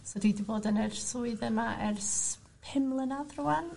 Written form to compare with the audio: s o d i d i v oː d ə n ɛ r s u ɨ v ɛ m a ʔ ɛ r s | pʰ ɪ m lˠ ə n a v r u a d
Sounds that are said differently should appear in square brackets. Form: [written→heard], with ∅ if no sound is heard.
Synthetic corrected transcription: s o d i d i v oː d ə n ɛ r s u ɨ [v→ð] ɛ m a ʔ ɛ r s | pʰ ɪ m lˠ ə n a [v→ð] r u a [d→n]